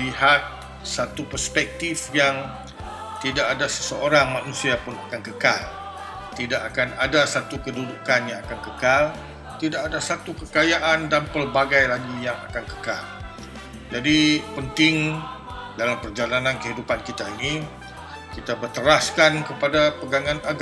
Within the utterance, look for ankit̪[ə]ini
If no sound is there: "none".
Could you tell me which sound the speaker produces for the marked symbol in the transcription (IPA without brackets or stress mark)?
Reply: a